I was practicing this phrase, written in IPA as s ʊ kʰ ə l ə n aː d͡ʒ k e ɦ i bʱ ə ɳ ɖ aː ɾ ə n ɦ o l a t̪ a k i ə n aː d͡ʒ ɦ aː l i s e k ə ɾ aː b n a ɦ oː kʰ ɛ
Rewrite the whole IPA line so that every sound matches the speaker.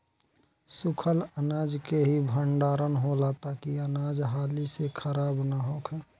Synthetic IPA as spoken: s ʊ kʰ ə l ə n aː d͡ʒ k e ɦ i bʱ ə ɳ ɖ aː ɾ ə n ɦ o l a t̪ a k i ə n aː d͡ʒ ɦ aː l i s e kʰ ə ɾ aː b n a ɦ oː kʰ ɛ